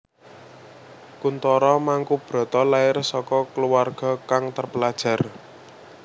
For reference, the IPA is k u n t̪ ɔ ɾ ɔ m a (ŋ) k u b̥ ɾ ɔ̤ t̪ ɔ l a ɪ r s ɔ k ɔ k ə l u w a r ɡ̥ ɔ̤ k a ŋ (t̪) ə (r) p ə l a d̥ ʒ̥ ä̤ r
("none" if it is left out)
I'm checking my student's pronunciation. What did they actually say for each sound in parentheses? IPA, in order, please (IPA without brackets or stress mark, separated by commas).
ŋ, t̪, r